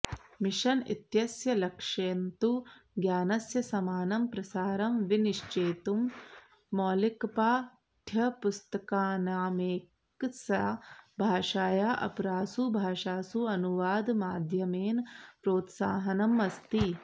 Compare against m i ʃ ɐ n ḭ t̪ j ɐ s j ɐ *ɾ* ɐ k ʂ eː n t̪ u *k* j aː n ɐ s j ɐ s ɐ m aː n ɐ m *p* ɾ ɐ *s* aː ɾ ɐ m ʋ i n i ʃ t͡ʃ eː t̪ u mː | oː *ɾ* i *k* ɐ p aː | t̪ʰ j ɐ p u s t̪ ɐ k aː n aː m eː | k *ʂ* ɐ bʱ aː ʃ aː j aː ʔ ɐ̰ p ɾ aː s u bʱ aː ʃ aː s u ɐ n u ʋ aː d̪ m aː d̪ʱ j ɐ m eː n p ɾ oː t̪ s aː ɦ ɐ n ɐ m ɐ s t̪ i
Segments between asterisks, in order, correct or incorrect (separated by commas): incorrect, incorrect, correct, correct, incorrect, correct, incorrect